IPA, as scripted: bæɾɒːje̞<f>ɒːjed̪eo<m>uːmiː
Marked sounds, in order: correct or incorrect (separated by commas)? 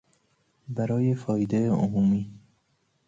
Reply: correct, correct